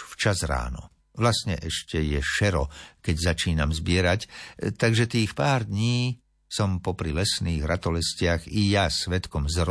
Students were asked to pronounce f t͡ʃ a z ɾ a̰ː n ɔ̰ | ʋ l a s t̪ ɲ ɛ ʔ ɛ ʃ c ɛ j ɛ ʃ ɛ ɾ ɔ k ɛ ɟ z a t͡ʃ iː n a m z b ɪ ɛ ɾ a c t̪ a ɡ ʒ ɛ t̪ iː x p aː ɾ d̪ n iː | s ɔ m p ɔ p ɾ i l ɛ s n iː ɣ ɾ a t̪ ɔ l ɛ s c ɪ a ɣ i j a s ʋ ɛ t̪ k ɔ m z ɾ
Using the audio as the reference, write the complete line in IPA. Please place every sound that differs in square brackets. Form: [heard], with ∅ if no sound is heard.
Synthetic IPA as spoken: f t͡ʃ a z ɾ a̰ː n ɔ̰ | ʋ l a s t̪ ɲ ɛ ʔ ɛ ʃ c ɛ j ɛ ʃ ɛ ɾ ɔ k ɛ ɟ z a t͡ʃ iː n a m z b ɪ ɛ ɾ a c t̪ a ɡ ʒ ɛ t̪ iː x p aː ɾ d̪ [ɲ] iː | s ɔ m p ɔ p ɾ i l ɛ s n iː ɣ ɾ a t̪ ɔ l ɛ s c ɪ a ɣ i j a s ʋ ɛ t̪ k ɔ m z ɾ